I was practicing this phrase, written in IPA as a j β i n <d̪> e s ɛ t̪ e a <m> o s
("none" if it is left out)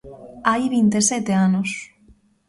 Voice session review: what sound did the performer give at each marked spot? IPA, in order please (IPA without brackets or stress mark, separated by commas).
t̪, n